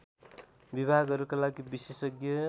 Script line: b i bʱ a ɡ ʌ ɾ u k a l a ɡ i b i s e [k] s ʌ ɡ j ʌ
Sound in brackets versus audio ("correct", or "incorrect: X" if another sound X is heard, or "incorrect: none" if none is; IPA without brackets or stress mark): incorrect: none